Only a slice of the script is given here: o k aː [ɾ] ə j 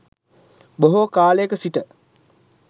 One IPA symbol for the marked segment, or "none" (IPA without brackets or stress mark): l